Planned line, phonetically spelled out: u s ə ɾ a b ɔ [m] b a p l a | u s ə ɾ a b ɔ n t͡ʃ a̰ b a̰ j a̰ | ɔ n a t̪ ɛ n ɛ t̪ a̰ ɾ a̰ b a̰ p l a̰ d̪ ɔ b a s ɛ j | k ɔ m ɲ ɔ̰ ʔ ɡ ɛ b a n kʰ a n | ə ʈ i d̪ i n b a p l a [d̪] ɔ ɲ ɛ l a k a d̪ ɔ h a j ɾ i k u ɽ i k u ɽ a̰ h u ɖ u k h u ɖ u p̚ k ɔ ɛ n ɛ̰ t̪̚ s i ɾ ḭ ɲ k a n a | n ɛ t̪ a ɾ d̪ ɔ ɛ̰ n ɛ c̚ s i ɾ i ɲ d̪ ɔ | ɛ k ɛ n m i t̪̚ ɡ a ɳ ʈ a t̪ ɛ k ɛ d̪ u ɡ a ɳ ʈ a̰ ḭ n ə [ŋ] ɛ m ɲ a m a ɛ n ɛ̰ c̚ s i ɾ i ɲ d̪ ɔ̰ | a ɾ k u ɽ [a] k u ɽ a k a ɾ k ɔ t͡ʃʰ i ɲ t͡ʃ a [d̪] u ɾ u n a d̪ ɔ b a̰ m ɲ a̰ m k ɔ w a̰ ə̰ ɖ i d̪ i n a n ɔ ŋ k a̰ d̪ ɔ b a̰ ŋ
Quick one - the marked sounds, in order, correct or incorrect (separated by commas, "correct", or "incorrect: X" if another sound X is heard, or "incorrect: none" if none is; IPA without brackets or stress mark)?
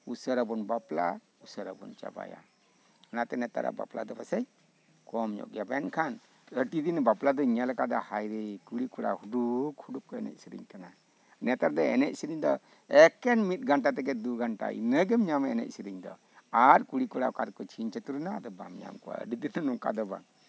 incorrect: n, correct, incorrect: ɡ, incorrect: i, incorrect: t̪